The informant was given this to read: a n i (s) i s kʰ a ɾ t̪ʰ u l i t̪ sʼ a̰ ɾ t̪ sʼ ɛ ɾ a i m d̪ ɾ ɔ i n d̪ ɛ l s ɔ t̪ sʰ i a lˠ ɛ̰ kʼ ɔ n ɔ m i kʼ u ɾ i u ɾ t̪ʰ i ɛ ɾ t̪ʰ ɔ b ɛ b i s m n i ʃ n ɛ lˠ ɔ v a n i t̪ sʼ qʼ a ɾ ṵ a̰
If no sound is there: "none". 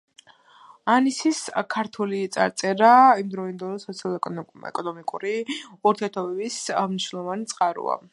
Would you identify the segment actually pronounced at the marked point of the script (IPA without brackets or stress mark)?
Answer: s